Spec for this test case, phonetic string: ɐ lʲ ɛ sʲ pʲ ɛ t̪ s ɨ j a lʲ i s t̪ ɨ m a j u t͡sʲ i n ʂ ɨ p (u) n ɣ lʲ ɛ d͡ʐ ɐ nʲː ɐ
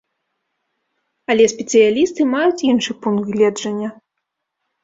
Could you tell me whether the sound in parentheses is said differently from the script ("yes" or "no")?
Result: no